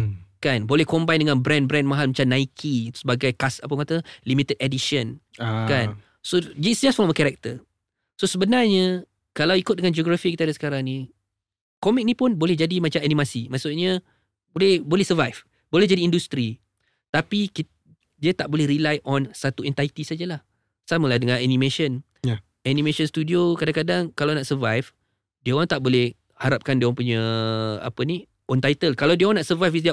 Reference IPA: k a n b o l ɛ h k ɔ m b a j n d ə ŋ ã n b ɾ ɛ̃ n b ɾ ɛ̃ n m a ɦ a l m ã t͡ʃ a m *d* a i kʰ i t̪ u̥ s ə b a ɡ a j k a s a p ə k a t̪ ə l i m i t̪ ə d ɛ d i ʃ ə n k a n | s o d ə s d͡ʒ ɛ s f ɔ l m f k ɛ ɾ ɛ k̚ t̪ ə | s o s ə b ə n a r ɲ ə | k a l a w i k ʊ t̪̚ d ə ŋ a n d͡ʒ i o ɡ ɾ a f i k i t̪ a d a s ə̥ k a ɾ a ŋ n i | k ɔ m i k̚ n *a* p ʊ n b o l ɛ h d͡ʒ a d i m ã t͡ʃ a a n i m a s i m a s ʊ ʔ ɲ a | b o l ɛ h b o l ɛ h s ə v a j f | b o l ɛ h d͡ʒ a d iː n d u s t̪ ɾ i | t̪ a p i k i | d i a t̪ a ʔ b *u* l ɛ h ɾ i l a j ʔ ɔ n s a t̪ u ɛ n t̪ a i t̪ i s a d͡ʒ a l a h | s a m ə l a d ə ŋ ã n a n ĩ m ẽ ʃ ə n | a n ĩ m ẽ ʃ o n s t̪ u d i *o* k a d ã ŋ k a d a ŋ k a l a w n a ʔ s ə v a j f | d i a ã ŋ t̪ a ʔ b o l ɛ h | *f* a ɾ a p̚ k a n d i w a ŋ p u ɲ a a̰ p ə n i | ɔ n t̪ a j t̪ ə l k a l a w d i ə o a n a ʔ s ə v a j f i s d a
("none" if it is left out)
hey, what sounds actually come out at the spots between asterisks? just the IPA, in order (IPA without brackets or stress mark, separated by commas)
n, i, o, o, h